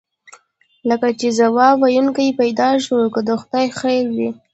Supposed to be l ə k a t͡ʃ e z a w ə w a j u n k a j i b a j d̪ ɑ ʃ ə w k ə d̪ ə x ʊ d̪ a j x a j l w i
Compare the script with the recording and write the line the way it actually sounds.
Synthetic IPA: l ə k a t͡ʃ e z a w ɑ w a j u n k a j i p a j d̪ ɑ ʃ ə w k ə d̪ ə x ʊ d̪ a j x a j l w i